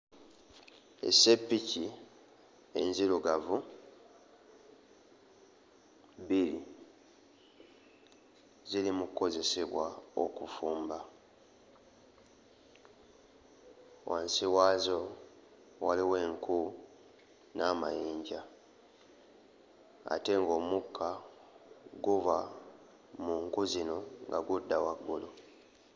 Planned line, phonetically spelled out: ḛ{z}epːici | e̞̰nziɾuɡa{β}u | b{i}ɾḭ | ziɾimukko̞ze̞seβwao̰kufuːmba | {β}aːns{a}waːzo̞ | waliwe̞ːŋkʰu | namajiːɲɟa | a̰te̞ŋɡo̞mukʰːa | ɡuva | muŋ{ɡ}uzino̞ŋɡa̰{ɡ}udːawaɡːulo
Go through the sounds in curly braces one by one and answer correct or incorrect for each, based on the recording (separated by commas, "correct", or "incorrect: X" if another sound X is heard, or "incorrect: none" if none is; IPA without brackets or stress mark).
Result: incorrect: s, incorrect: v, correct, incorrect: w, incorrect: i, incorrect: k, correct